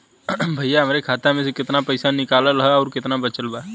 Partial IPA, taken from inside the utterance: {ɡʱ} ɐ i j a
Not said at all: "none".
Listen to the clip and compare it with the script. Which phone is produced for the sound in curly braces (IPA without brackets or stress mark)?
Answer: bʱ